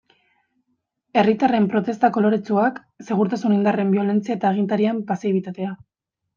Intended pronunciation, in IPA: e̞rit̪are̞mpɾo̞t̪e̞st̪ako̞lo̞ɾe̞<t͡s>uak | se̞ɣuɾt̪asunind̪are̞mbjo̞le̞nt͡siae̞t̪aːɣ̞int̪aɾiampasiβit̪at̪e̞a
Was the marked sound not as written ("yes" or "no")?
no